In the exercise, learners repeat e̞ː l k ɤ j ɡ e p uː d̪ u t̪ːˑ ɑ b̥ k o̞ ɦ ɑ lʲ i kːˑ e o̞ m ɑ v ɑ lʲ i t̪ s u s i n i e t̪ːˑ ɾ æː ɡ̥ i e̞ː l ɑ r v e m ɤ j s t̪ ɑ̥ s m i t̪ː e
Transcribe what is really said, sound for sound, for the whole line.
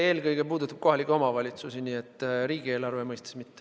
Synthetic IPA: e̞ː l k ɤ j ɡ e p uː d̪ u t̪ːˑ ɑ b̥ k o̞ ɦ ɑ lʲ i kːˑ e o̞ m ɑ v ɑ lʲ i t̪ s u s i n i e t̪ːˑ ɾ iː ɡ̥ i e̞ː l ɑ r v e m ɤ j s t̪ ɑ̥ s m i t̪ː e